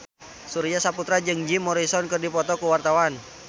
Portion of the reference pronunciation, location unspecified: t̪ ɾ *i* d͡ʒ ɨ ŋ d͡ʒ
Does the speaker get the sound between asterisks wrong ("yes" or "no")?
yes